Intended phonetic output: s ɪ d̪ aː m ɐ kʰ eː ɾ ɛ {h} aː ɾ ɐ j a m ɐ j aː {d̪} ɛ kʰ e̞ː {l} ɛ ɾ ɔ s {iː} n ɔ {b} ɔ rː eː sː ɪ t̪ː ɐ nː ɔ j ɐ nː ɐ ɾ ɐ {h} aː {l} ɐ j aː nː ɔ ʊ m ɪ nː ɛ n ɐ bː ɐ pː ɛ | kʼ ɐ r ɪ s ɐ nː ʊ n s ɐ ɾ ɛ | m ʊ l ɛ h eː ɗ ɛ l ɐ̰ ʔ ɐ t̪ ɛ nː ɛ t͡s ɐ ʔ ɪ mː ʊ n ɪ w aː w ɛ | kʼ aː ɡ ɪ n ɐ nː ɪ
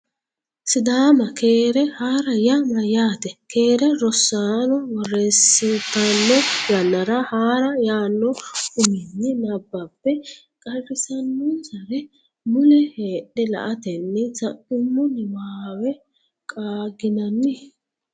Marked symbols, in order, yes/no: yes, no, no, no, no, yes, no

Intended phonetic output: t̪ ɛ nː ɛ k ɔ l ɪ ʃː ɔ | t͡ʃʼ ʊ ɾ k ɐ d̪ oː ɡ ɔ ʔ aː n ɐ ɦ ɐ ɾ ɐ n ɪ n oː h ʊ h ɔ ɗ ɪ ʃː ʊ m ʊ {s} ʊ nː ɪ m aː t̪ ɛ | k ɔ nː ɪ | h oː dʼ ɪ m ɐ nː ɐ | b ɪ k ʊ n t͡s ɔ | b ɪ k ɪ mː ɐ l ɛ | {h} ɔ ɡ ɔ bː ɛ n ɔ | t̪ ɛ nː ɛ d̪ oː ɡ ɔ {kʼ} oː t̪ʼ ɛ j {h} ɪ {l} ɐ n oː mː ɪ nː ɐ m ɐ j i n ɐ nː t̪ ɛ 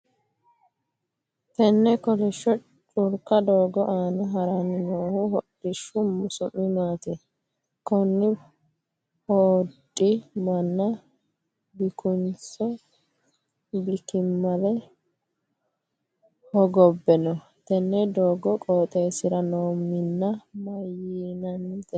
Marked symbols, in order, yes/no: yes, yes, yes, no, no

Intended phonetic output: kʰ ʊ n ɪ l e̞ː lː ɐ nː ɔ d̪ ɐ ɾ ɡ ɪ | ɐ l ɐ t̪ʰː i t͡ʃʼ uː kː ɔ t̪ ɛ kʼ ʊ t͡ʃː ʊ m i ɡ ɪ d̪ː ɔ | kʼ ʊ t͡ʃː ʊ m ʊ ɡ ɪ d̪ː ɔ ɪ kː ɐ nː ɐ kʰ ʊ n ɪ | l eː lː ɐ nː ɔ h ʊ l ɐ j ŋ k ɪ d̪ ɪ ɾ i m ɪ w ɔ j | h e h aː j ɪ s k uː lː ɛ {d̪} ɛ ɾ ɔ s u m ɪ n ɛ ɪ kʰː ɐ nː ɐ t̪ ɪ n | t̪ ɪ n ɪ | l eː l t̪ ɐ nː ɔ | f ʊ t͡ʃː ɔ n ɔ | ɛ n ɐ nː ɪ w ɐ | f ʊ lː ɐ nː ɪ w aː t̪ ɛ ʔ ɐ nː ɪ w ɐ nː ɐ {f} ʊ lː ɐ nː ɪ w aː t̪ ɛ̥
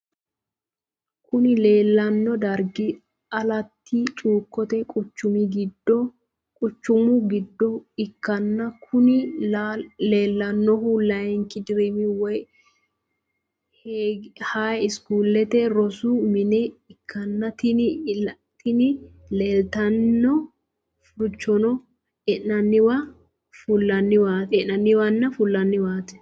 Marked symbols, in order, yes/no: no, yes

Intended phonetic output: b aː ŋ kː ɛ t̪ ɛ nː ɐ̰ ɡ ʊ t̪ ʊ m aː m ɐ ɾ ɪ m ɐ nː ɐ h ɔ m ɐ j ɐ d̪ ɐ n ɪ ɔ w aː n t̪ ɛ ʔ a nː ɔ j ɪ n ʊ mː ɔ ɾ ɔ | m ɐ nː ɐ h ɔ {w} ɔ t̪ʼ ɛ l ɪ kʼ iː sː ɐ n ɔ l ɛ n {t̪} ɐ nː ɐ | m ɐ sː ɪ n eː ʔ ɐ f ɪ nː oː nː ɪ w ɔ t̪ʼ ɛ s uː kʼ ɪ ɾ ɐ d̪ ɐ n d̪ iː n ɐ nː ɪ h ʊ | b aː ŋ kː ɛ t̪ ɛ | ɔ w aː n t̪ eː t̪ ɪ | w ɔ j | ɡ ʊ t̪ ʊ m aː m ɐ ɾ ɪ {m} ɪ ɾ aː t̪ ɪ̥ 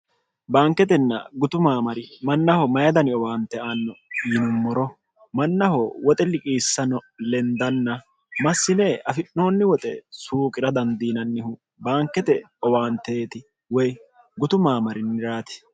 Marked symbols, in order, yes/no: yes, no, no

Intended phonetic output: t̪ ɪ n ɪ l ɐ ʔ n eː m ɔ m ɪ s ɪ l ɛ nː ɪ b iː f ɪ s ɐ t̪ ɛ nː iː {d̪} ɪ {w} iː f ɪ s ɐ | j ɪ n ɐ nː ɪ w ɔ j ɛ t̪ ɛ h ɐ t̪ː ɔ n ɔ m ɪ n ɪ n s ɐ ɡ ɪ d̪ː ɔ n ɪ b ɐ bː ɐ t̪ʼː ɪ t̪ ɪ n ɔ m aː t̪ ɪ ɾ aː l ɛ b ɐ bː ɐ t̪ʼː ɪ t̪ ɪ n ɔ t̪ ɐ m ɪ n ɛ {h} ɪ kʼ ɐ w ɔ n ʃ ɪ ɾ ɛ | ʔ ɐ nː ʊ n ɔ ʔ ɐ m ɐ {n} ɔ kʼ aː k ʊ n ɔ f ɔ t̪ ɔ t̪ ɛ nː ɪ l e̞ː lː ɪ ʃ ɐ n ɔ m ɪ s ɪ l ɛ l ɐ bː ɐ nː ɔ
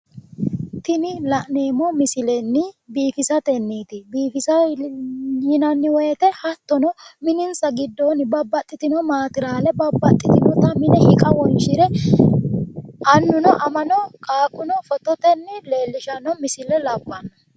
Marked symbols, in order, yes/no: no, no, yes, yes

